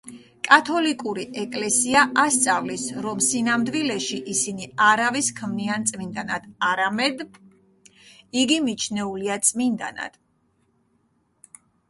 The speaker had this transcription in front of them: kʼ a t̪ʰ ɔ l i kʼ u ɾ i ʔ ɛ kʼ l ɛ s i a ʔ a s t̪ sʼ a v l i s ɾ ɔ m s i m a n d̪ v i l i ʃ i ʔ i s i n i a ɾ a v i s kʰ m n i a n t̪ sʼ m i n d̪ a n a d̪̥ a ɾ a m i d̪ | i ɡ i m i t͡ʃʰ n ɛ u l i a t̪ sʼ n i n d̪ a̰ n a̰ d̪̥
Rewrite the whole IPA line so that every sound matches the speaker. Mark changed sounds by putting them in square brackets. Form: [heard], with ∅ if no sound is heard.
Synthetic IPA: kʼ a t̪ʰ ɔ l i kʼ u ɾ i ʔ ɛ kʼ l ɛ s i a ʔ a s t̪ sʼ a v l i s ɾ ɔ m s i [n] a [m] d̪ v i l [ɛ] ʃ i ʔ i s i n i a ɾ a v i s kʰ m n i a n t̪ sʼ m i n d̪ a n a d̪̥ a ɾ a m [ɛ] d̪ | i ɡ i m i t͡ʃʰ n ɛ u l i a t̪ sʼ [m] i n d̪ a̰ n a̰ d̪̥